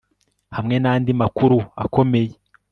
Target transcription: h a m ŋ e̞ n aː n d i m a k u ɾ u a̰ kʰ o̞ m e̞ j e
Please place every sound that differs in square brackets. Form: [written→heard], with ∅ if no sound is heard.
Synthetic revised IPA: h a m ŋ e̞ n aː n d i m a k u ɾ u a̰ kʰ o̞ m e̞ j e